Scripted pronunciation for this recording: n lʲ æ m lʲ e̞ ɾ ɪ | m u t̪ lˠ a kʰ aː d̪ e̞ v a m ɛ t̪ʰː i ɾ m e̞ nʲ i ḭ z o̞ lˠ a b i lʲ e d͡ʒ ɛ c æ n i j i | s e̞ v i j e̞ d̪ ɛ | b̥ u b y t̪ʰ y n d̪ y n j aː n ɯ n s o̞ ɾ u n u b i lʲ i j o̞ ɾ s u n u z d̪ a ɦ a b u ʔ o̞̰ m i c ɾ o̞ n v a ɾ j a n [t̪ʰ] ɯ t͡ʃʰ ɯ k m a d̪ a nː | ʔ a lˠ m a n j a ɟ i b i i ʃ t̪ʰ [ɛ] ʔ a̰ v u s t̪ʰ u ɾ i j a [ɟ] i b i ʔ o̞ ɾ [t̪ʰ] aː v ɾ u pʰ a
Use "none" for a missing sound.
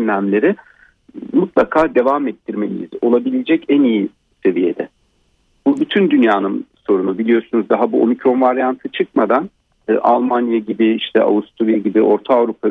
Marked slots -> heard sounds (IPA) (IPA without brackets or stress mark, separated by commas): t̪ʰ, ɛ, ɟ, t̪ʰ